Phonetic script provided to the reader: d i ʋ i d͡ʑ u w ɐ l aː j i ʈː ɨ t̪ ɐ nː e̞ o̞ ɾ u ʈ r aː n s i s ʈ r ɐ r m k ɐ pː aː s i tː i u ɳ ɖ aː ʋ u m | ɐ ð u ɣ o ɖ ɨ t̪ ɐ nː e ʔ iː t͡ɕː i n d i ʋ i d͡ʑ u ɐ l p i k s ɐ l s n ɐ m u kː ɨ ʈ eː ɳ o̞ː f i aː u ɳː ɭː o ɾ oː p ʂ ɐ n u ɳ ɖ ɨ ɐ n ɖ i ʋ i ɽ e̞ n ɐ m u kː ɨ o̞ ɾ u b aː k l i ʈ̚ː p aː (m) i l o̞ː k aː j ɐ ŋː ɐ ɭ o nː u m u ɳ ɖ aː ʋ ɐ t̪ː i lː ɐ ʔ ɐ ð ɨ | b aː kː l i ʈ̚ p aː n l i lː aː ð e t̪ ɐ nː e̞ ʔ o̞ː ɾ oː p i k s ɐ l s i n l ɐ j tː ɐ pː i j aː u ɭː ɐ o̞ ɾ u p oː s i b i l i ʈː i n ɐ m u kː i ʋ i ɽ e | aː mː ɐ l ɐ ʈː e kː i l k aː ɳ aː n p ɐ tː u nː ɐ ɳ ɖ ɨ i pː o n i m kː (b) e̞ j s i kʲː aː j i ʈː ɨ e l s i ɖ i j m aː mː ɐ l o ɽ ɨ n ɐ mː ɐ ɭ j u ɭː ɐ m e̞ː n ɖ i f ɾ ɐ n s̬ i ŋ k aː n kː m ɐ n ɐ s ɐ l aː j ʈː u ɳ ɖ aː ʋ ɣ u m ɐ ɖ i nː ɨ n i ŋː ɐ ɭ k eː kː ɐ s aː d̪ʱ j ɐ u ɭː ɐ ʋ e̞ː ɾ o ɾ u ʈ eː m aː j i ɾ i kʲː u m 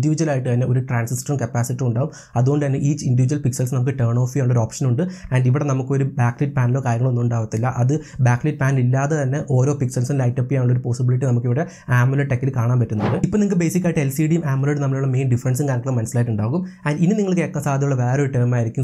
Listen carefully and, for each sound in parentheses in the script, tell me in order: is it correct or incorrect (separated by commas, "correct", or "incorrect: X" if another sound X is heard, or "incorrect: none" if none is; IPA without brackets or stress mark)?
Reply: incorrect: n, correct